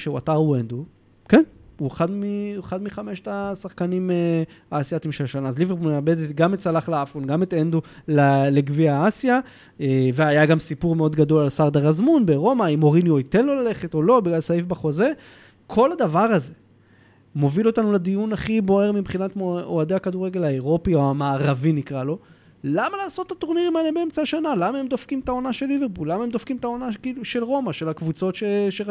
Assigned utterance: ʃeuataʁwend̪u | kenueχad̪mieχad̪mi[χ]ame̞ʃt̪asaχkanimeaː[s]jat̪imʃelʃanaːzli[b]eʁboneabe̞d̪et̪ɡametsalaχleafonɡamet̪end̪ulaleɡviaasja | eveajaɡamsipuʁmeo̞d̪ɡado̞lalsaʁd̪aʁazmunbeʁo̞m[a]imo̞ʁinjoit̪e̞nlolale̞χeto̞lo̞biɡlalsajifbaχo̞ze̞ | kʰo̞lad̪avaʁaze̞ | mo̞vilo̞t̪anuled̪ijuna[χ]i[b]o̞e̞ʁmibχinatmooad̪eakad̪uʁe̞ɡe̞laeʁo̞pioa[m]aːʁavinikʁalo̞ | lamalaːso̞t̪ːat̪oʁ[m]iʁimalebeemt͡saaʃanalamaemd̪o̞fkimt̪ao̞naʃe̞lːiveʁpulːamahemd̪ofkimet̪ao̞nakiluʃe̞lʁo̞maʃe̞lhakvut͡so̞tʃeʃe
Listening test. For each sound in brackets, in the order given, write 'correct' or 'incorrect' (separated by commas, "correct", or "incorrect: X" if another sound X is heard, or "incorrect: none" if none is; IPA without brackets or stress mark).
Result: correct, correct, incorrect: v, correct, correct, correct, correct, incorrect: n